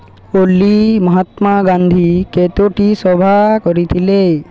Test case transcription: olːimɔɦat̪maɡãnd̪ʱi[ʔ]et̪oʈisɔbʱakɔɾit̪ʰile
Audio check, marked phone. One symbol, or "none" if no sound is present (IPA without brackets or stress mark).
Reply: k